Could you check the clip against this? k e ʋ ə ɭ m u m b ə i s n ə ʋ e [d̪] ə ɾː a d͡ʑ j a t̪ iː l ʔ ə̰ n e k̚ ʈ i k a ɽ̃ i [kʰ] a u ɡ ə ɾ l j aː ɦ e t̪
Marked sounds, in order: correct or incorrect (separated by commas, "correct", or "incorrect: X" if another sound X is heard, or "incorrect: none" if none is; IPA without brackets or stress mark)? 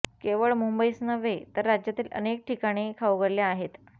incorrect: t̪, correct